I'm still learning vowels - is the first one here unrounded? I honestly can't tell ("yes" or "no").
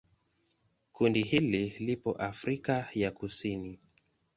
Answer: no